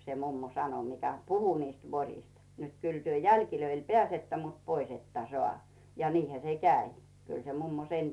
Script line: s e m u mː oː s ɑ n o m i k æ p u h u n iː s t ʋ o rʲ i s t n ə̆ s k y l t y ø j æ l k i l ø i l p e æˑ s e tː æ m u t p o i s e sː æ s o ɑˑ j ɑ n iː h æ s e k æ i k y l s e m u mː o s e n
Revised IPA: s e m u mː o s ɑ n o m i k æ p u h u n iː s t ʋ o rʲ i s t n ə̆ t k y l t y ø j æ l k i l ø i l p e æˑ s e tː æ m u t p o i s e tː æ s o ɑˑ j ɑ n iː h æ s e k æ i k y l s e m u mː o s e n